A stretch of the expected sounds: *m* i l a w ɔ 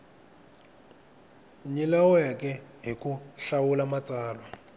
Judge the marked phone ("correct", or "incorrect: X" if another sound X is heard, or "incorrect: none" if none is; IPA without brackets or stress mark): incorrect: ɲ